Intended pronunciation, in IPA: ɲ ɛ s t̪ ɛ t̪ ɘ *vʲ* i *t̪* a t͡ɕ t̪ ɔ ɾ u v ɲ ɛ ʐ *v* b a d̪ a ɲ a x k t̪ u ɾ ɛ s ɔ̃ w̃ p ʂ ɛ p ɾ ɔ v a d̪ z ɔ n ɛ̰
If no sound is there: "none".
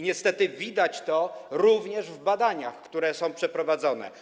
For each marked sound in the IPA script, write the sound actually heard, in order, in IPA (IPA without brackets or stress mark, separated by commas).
vʲ, d̪, v